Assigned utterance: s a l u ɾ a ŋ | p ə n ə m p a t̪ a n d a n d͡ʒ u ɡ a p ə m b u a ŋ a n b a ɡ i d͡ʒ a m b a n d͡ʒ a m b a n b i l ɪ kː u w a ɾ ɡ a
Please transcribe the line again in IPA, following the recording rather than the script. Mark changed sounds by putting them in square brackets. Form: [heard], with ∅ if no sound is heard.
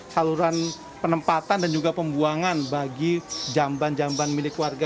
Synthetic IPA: s a l u ɾ a [n] | p ə n ə m p a t̪ a n d a n d͡ʒ u ɡ a p ə m b u a ŋ a n b a ɡ i d͡ʒ a m b a n d͡ʒ a m b a n [m] i l ɪ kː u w a [r] ɡ a